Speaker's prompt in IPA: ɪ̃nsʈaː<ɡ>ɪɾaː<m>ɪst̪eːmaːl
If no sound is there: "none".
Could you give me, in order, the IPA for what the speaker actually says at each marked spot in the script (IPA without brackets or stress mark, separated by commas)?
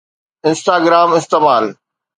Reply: ɡ, m